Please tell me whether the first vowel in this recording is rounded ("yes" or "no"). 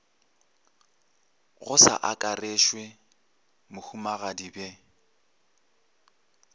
yes